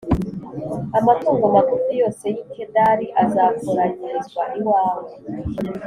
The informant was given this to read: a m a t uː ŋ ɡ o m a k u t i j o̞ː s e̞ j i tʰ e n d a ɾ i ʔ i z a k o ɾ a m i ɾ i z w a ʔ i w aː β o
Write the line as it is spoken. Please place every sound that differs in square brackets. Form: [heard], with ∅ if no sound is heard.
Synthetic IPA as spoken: a m a t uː ŋ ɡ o m a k u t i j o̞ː s e̞ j i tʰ e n d a ɾ i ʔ [a] z a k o ɾ a [ɲ] i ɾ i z w a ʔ i w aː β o